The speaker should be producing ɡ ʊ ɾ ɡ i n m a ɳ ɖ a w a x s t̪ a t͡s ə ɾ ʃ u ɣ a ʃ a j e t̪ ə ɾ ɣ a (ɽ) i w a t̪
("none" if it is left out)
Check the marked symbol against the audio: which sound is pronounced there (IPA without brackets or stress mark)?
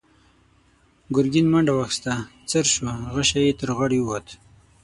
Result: ɽ